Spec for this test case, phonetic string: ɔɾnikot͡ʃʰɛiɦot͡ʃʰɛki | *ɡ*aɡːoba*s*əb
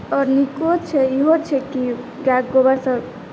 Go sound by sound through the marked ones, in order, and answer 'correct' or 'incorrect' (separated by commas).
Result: correct, correct